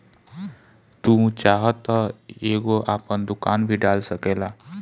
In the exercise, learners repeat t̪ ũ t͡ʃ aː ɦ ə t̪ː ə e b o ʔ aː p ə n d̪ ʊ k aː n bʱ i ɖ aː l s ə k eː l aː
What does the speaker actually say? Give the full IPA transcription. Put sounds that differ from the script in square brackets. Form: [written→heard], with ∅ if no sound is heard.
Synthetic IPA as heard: t̪ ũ t͡ʃ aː ɦ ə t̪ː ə e [b→ɡ] o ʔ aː p ə n d̪ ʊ k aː n bʱ i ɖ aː l s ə k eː l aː

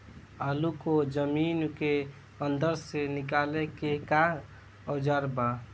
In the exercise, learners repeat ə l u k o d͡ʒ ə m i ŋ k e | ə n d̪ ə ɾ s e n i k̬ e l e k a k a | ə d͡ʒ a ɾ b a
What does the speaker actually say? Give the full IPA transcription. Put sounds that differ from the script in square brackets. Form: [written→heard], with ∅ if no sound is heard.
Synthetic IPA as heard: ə l u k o d͡ʒ ə m i [ŋ→n] k e | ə n d̪ ə ɾ s e n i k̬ [e→a] l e k [a→e] k a | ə d͡ʒ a ɾ b a

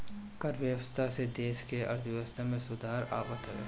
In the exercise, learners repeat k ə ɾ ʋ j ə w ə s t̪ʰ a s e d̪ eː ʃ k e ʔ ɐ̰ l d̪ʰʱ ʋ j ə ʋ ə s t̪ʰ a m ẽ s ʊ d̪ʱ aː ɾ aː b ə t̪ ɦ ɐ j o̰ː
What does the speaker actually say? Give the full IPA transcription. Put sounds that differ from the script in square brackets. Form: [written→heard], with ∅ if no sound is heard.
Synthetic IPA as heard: k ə ɾ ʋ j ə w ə s t̪ʰ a s e d̪ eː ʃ k e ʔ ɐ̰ [l→ɾ] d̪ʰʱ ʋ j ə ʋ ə s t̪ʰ a m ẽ s ʊ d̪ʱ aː ɾ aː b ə t̪ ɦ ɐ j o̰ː

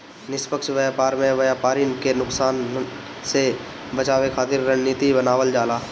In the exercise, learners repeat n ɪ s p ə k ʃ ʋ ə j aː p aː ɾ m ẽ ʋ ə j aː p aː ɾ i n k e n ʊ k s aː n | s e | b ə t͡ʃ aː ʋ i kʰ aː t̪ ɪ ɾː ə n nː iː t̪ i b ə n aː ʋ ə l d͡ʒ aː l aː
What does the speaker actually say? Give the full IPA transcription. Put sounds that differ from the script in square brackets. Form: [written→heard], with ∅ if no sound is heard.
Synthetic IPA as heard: n ɪ s p ə k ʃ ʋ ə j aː p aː ɾ m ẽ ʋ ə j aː p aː ɾ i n k e n ʊ k s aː n | s e | b ə t͡ʃ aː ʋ [i→e] kʰ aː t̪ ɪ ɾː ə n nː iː t̪ i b ə n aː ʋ ə l d͡ʒ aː l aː

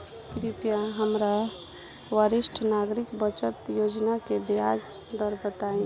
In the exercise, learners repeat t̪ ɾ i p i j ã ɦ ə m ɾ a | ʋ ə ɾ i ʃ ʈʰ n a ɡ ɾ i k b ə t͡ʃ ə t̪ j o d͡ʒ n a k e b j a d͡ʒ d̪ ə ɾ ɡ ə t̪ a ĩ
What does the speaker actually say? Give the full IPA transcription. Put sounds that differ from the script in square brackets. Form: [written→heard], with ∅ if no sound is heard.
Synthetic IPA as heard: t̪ ɾ i p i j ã ɦ ə m ɾ a | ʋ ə ɾ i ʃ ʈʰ n a ɡ ɾ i k b ə t͡ʃ ə t̪ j o d͡ʒ n a k e b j a d͡ʒ d̪ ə ɾ [ɡ→b] ə t̪ a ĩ

